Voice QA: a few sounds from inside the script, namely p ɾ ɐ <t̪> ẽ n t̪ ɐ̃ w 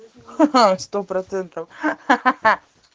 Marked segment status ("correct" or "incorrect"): correct